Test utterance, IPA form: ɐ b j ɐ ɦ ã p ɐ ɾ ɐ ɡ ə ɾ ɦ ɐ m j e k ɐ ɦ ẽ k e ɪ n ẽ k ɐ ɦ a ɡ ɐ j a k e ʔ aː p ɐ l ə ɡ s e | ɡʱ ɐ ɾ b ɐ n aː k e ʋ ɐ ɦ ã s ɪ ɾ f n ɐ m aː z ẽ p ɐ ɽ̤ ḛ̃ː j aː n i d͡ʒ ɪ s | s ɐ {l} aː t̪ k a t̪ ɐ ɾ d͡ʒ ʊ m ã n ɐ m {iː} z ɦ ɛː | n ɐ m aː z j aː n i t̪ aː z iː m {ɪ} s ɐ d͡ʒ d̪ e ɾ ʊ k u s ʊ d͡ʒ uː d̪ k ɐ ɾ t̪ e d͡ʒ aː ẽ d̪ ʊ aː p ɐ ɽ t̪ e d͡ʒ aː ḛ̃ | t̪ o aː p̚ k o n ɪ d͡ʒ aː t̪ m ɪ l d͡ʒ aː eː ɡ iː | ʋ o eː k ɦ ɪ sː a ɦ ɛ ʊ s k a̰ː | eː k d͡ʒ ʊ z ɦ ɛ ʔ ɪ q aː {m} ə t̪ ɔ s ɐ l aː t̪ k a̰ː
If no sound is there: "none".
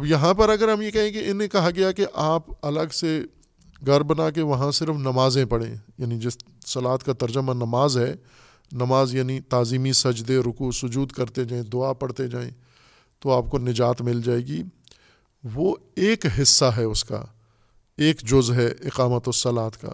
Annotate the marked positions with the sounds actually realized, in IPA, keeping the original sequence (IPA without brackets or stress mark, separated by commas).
l, aː, i, m